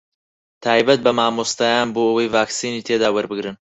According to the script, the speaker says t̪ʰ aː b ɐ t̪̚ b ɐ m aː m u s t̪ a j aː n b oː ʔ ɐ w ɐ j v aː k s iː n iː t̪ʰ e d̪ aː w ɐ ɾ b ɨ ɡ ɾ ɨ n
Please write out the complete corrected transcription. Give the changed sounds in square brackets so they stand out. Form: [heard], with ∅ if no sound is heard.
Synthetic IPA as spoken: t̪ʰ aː b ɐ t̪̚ b ɐ m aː m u s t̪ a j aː n b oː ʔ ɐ w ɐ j v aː k s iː n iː t̪ʰ e d̪ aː w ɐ ɾ b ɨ ɡ ɾ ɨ n